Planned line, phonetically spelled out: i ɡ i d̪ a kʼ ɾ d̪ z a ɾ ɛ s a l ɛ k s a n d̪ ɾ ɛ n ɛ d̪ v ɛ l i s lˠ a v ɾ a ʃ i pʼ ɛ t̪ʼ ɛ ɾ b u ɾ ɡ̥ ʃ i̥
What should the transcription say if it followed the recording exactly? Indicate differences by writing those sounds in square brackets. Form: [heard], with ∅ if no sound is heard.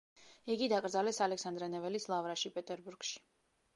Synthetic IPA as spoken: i ɡ i d̪ a kʼ ɾ d̪ z a [l] ɛ s a l ɛ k s a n d̪ ɾ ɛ n ɛ [∅] v ɛ l i s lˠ a v ɾ a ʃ i pʼ ɛ t̪ʼ ɛ ɾ b u ɾ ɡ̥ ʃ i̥